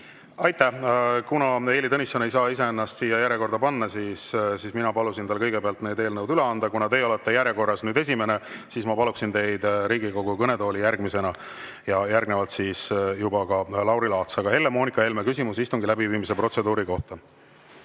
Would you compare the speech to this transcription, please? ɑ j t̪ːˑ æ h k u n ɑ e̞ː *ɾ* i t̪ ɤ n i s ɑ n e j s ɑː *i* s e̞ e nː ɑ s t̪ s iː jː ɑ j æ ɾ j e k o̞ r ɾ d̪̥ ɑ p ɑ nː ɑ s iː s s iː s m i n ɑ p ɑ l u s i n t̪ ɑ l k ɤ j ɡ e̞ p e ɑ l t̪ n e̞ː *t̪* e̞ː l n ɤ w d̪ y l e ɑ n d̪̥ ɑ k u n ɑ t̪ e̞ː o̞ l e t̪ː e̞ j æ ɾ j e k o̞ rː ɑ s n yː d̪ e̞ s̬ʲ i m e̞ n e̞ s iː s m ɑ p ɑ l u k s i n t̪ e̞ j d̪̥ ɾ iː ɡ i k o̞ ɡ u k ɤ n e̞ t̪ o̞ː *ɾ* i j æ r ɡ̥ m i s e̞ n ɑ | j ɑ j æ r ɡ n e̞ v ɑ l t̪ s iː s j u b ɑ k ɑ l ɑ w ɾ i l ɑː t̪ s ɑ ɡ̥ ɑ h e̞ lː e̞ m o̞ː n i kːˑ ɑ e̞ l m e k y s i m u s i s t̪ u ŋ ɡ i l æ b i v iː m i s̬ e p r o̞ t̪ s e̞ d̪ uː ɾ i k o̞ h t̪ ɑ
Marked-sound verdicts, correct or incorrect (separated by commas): incorrect, correct, incorrect, incorrect